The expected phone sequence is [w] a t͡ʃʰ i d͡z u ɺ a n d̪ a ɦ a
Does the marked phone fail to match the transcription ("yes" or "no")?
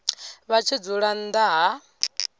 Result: yes